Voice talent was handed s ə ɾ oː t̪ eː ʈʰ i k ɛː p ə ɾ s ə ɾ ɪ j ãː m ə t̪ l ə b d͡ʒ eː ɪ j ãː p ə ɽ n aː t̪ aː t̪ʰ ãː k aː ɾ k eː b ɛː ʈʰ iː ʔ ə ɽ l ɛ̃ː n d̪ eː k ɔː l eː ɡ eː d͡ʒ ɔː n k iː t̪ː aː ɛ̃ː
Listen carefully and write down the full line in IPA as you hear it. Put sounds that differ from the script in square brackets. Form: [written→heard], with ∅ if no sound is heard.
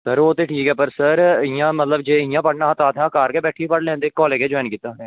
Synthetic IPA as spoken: s ə ɾ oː t̪ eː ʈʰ [i→iː] k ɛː p ə ɾ s ə ɾ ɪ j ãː m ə t̪ l ə b d͡ʒ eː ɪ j ãː p ə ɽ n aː t̪ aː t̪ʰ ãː k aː ɾ k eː b ɛː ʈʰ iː [ʔ→p] ə ɽ l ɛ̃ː n d̪ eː k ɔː l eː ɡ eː d͡ʒ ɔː n k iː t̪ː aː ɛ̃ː